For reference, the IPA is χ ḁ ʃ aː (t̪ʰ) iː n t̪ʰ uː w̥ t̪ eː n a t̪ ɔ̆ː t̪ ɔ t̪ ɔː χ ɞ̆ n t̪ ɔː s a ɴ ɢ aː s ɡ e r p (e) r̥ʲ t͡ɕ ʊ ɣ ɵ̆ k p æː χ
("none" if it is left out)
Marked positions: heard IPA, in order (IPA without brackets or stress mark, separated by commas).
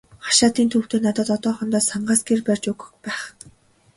t̪, æ